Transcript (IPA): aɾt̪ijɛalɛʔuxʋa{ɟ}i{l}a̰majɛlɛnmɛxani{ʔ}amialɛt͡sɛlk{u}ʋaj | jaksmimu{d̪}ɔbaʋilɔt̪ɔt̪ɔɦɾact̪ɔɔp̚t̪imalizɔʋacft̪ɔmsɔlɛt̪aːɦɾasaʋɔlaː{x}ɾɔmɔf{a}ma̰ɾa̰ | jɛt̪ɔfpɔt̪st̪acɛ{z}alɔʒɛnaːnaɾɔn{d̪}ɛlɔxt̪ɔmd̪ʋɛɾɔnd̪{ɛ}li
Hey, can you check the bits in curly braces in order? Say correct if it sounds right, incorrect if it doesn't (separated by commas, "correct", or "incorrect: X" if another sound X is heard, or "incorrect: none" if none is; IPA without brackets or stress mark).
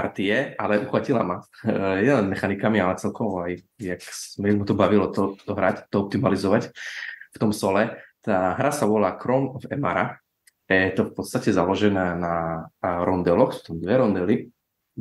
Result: incorrect: c, correct, incorrect: k, incorrect: ɔ, incorrect: t̪, incorrect: k, incorrect: ɛ, correct, correct, correct